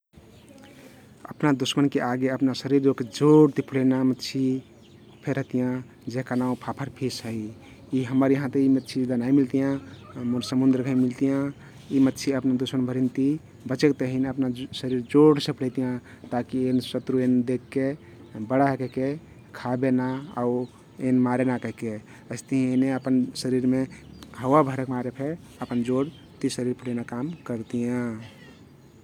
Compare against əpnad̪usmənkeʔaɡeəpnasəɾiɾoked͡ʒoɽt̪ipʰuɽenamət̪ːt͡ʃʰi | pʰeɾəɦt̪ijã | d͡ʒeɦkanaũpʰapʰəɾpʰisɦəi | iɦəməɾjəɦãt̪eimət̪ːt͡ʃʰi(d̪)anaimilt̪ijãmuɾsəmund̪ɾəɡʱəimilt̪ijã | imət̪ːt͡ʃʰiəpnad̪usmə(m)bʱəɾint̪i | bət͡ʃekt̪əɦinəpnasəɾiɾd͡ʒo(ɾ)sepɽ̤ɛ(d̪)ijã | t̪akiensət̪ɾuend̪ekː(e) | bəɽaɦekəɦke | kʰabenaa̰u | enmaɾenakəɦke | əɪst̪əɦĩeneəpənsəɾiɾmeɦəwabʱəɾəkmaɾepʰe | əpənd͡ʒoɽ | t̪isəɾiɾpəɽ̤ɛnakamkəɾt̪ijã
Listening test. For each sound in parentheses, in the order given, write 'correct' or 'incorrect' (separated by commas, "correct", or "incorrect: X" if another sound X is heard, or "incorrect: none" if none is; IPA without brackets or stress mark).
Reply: correct, incorrect: n, incorrect: ɽ, incorrect: t̪, correct